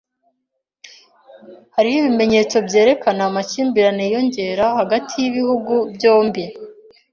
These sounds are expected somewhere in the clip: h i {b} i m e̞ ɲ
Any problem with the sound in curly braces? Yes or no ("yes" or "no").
yes